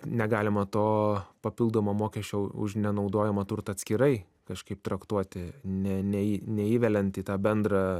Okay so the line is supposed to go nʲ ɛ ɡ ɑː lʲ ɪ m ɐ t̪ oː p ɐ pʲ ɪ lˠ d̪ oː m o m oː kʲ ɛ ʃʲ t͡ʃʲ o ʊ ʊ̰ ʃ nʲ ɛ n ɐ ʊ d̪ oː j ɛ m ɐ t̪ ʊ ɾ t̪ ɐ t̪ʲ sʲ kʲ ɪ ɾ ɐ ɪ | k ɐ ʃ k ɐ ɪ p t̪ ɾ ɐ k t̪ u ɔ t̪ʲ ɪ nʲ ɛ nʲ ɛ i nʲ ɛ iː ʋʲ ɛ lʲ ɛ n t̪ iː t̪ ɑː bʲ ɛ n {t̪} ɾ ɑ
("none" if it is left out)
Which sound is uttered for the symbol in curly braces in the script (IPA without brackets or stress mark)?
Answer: d̪